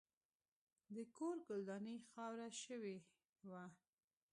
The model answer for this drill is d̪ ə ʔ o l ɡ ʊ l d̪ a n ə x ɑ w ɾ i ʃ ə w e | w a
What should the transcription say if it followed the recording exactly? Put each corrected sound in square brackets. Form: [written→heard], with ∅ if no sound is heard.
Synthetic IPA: d̪ ə [ʔ→k] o [l→ɾ] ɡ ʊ l d̪ [a→ɑ] n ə x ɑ w ɾ [i→a] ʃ ə w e | w a

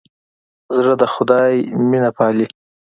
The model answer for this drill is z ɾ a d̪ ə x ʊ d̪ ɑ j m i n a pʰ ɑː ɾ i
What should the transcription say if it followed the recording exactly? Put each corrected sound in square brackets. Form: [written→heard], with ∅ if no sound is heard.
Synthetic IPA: z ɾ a d̪ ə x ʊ d̪ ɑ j m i n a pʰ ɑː [ɾ→l] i

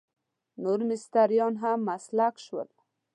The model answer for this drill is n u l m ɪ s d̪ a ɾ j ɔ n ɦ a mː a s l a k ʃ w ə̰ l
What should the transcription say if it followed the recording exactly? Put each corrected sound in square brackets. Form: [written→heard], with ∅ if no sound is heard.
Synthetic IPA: n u [l→ɾ] m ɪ s [d̪→t̪] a ɾ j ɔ n ɦ a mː a s l a k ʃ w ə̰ l

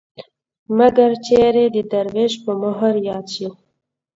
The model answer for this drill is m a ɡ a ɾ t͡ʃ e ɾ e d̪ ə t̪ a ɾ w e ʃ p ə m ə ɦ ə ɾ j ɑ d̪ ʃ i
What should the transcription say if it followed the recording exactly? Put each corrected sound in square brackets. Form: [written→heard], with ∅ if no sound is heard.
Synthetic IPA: m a ɡ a ɾ t͡ʃ e ɾ e d̪ ə [t̪→d̪] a ɾ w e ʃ p ə m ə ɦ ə ɾ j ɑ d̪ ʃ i

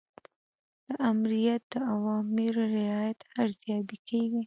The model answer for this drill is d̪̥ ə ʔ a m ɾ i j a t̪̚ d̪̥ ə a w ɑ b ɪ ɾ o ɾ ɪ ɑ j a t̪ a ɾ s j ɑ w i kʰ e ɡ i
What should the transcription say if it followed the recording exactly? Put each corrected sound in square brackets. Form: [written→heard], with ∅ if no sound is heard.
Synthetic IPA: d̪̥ ə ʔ a m ɾ i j a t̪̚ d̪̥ ə a w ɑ [b→m] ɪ ɾ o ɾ ɪ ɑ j a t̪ a ɾ [s→z] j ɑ [w→b] i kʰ e ɡ i

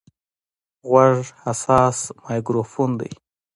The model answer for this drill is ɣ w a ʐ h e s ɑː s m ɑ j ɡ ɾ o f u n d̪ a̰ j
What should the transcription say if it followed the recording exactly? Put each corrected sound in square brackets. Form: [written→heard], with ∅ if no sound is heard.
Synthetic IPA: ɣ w a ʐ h [e→a] s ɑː s m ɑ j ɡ ɾ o f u n d̪ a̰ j

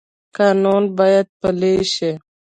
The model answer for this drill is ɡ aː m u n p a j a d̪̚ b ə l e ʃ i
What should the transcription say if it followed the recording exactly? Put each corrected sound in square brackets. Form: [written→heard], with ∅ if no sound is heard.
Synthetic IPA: [ɡ→k] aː [m→n] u n [p→b] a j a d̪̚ [b→p] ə l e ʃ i

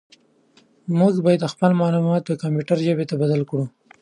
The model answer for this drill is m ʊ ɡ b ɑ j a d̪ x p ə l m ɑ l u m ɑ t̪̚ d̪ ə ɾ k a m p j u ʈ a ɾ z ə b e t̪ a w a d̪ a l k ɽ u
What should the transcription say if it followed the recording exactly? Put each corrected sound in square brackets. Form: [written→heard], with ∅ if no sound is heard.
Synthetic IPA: m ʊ ɡ b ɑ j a d̪ x p ə l m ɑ l u m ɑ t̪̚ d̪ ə [ɾ→∅] k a m p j u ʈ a ɾ [z→ʒ] ə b e t̪ a [w→b] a d̪ a l k ɽ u

